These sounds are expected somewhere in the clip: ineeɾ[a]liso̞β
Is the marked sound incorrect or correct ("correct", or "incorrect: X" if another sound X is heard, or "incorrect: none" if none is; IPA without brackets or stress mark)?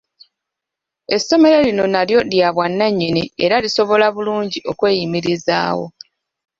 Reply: correct